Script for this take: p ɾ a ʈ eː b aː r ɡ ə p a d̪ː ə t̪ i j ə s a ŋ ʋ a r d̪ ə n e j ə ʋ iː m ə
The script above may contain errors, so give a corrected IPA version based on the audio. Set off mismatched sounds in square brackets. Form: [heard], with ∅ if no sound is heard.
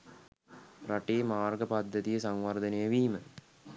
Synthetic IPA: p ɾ a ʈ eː [m] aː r ɡ ə p a d̪ː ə t̪ i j ə s a ŋ ʋ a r d̪ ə n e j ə ʋ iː m ə